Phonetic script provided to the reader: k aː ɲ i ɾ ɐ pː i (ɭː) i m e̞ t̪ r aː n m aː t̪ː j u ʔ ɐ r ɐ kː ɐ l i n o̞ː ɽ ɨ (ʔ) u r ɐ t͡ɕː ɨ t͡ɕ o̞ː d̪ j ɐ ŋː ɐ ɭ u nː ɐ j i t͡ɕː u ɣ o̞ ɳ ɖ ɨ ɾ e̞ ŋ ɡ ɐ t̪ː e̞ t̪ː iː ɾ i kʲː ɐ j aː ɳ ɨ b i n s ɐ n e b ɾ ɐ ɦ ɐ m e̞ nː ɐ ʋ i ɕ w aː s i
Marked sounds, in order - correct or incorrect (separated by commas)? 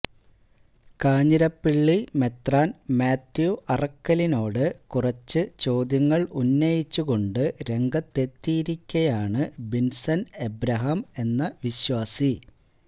correct, incorrect